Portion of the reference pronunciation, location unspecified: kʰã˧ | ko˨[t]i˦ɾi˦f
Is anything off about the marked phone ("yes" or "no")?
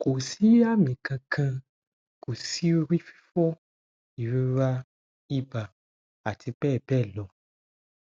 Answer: yes